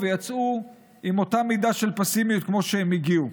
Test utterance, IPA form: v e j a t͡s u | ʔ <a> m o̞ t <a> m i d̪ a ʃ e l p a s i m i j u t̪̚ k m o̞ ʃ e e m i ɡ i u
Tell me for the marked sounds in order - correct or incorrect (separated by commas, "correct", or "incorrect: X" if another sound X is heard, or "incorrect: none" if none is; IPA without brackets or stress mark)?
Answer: incorrect: i, correct